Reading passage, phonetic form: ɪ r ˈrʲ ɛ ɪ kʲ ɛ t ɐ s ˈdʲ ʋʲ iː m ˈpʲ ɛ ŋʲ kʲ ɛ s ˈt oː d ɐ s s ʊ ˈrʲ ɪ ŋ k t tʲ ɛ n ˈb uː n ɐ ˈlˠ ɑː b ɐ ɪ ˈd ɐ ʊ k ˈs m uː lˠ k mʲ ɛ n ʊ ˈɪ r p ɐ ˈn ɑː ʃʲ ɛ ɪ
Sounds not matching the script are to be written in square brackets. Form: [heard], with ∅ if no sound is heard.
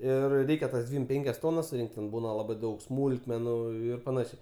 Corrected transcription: ɪ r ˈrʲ ɛ ɪ kʲ ɛ t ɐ s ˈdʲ ʋʲ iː m ˈpʲ ɛ ŋʲ kʲ ɛ s ˈt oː [n] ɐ s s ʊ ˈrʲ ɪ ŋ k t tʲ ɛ n ˈb uː n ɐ ˈlˠ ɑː b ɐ ɪ ˈd ɐ ʊ k ˈs m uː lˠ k mʲ ɛ n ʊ ˈɪ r p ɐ ˈn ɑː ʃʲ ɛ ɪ

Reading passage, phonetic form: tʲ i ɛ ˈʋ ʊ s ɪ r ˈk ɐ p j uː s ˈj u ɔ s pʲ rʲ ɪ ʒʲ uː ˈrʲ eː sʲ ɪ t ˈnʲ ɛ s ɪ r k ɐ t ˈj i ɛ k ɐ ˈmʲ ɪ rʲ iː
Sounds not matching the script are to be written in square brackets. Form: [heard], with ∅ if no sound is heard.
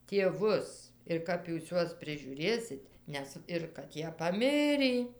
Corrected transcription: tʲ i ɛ ˈʋ ʊ s ɪ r ˈk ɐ p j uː s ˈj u ɔ s pʲ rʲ ɪ ʒʲ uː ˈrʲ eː sʲ ɪ t ˈnʲ ɛ s ɪ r k ɐ t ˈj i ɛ [p] ɐ ˈmʲ ɪ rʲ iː

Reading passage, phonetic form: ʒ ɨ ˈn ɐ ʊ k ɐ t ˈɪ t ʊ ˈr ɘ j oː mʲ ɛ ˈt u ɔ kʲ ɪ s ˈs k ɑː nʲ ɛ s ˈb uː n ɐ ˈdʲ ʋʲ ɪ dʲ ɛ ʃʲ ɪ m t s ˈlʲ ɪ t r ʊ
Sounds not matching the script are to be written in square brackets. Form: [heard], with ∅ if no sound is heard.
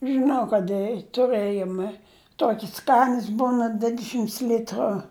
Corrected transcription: ʒ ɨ ˈn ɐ ʊ k ɐ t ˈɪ t ʊ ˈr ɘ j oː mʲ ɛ ˈt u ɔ kʲ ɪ s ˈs k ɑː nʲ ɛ s ˈb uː n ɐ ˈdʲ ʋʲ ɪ dʲ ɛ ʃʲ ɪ m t s ˈlʲ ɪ t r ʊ

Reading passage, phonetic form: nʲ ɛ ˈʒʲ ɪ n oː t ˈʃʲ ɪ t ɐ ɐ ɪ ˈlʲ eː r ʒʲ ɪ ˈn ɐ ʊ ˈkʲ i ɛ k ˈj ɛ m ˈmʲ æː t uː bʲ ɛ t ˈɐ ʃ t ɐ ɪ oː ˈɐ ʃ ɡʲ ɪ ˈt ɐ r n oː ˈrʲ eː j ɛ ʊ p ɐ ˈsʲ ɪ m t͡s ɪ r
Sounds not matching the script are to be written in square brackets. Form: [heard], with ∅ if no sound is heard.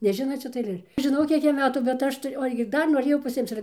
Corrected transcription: nʲ ɛ ˈʒʲ ɪ n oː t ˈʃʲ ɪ t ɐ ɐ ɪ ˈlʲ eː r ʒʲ ɪ ˈn ɐ ʊ ˈkʲ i ɛ k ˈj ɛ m ˈmʲ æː t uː bʲ ɛ t ˈɐ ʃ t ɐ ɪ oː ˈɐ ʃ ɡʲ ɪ [ˈd] ɐ r n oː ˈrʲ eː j ɛ ʊ p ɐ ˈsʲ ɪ m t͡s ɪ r

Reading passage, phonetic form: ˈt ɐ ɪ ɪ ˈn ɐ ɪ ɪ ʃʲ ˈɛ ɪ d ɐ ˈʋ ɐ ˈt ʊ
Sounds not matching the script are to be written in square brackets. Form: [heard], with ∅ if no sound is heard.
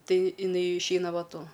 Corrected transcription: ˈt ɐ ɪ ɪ ˈn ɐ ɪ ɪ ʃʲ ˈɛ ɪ [n] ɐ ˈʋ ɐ ˈt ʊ

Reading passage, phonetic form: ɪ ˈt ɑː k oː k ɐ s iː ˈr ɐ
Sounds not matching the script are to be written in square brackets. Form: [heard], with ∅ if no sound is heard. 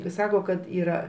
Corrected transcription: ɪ [ˈs] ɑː k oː k ɐ [t] iː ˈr ɐ

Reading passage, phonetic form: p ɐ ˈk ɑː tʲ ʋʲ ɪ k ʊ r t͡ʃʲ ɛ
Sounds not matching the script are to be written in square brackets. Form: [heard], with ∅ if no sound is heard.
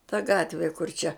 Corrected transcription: [t] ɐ [ˈɡ] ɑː tʲ ʋʲ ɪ k ʊ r t͡ʃʲ ɛ

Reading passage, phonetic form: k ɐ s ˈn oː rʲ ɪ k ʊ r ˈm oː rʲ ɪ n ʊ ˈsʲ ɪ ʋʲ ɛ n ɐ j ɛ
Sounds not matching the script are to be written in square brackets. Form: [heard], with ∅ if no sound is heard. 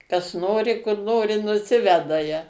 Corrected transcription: k ɐ s ˈn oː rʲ ɪ k ʊ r [ˈn] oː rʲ ɪ n ʊ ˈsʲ ɪ ʋʲ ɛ [d] ɐ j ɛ

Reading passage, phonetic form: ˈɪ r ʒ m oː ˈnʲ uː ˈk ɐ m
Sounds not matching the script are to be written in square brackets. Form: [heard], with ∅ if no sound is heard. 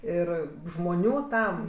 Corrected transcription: ˈɪ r ʒ m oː ˈnʲ uː [ˈt] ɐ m

